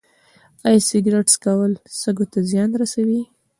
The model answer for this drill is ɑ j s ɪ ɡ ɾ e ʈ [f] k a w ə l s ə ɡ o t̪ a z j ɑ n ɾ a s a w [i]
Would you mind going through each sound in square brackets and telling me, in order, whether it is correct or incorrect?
incorrect, correct

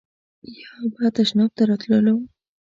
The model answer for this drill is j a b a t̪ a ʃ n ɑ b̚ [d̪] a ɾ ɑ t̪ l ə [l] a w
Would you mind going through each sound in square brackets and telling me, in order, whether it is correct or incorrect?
incorrect, correct

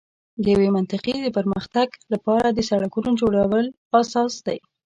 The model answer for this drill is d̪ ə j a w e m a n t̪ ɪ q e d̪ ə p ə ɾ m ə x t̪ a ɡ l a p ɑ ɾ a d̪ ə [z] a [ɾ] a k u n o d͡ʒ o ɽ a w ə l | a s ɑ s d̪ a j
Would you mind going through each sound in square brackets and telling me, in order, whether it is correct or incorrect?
incorrect, incorrect

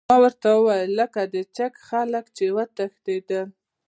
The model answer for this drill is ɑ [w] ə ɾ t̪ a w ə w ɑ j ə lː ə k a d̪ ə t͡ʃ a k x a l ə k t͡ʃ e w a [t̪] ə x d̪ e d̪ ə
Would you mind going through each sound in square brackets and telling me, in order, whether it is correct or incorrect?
correct, correct

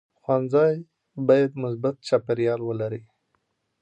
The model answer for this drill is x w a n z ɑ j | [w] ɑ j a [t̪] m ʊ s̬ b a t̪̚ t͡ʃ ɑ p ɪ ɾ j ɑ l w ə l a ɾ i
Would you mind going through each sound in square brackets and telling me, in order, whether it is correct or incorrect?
incorrect, incorrect

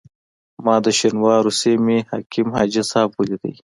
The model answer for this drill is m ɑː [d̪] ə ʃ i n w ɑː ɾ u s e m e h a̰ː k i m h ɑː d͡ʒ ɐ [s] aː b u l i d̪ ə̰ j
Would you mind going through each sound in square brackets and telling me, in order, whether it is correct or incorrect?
correct, correct

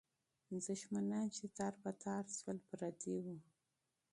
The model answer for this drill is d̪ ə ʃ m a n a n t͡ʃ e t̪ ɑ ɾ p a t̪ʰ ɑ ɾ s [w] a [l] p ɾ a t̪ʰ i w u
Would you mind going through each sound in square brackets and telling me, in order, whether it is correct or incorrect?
correct, correct

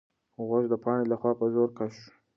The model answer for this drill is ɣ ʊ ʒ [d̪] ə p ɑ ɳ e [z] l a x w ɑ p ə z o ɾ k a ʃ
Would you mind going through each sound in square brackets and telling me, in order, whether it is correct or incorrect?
correct, incorrect

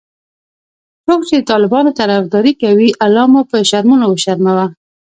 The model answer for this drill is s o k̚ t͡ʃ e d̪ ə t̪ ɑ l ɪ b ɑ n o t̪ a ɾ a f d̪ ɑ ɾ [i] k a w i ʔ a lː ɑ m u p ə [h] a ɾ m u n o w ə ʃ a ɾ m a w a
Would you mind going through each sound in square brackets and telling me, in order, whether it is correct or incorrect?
correct, incorrect

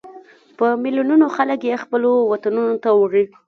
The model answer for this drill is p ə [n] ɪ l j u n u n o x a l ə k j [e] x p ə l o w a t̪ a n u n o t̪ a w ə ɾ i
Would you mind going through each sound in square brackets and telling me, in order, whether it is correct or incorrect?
incorrect, correct

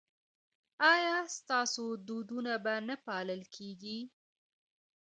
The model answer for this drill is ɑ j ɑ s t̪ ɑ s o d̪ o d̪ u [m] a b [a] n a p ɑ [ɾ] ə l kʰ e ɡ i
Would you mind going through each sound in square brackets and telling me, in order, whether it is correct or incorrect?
incorrect, correct, incorrect

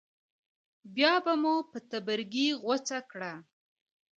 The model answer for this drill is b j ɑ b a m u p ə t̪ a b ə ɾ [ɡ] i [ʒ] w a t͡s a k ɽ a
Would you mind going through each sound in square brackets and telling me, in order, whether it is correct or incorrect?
correct, incorrect

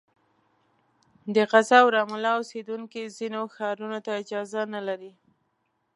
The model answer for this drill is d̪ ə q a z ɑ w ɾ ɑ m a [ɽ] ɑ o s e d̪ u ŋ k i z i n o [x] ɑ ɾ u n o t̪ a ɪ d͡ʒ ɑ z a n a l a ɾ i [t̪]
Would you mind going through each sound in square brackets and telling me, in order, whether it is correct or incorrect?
incorrect, correct, incorrect

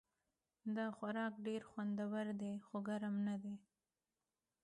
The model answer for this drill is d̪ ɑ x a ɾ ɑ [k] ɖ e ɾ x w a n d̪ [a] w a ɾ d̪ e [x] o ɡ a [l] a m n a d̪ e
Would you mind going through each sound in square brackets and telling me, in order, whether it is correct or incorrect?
correct, correct, correct, incorrect

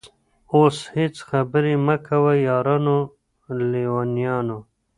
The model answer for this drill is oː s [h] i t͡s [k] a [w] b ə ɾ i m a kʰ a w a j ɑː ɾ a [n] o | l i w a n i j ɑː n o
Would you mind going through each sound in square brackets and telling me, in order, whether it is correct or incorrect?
correct, incorrect, incorrect, correct

